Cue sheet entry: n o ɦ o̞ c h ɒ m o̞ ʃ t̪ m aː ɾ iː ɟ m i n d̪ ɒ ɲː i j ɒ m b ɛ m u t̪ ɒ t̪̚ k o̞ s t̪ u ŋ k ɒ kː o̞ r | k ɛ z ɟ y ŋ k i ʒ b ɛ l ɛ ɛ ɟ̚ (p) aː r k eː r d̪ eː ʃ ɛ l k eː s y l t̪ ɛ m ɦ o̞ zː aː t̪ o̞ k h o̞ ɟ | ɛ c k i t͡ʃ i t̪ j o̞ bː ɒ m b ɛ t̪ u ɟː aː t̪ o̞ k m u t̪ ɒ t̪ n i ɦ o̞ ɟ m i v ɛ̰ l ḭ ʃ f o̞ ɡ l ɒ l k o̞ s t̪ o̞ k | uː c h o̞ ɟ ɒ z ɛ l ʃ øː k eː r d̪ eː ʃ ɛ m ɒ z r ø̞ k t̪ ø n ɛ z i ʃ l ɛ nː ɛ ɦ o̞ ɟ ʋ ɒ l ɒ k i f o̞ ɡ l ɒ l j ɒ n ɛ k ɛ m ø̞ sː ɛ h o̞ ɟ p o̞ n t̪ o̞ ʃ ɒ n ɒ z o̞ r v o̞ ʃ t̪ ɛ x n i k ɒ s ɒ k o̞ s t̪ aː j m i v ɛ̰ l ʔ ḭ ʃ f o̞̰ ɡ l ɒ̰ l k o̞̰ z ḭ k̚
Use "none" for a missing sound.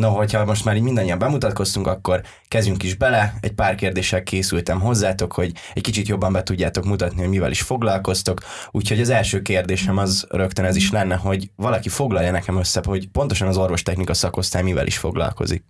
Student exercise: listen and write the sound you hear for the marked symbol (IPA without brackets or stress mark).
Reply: p